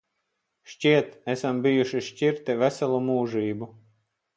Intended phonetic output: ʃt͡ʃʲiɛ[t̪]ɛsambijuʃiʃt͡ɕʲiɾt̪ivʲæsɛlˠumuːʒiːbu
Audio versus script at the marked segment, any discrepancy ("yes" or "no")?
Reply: no